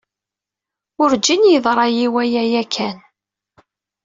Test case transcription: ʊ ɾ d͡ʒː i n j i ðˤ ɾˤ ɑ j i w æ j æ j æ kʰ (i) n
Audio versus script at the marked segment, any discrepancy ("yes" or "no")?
yes